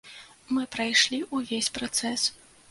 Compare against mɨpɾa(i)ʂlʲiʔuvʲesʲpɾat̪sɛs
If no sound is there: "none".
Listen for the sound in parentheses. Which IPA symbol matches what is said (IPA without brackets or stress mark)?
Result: j